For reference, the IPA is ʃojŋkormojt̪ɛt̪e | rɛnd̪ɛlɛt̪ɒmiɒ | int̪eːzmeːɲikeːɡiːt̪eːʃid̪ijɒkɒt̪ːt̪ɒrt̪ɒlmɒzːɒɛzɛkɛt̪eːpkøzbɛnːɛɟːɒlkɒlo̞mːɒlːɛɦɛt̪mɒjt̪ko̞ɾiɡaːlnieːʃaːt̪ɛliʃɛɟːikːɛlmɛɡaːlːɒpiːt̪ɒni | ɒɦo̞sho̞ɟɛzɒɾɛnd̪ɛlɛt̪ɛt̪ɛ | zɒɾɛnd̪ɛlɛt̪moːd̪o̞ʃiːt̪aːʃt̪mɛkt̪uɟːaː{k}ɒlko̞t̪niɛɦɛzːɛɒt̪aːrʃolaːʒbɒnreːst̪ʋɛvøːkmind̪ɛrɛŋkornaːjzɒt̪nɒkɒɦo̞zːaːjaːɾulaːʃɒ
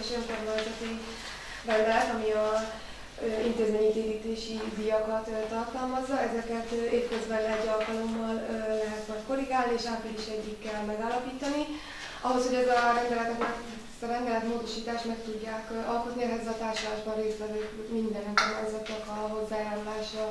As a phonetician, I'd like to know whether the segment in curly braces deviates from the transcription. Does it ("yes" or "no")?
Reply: no